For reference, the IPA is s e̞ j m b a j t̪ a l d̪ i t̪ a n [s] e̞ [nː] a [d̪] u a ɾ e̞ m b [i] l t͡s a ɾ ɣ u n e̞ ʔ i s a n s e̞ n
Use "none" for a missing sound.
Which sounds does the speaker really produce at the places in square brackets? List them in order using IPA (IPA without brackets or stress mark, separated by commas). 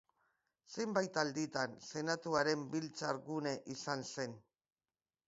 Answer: s, n, t̪, i